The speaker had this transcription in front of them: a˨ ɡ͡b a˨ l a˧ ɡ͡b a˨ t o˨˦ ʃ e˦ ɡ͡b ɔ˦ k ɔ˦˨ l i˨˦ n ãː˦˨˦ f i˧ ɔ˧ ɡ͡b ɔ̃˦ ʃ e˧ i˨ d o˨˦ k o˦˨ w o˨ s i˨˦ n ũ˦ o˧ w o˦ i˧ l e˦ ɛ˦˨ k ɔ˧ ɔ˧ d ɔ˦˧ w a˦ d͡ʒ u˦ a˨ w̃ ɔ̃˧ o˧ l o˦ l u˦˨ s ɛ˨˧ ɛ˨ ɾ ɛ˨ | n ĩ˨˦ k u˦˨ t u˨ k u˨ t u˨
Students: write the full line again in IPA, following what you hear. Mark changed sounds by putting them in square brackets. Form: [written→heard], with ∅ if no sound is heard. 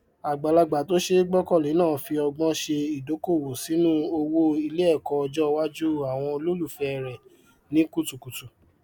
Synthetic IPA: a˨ ɡ͡b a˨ l a˧ ɡ͡b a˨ t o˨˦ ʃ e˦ ɡ͡b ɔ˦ k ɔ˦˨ l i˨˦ n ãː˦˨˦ f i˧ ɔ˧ ɡ͡b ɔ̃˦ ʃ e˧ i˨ d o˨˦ k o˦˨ w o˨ s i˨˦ n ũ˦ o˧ w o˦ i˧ l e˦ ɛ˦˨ k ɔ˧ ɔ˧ [d→d͡ʒ] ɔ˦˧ w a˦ d͡ʒ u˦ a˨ w̃ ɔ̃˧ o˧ l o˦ l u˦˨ [s→f] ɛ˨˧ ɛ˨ ɾ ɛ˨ | n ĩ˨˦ k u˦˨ t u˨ k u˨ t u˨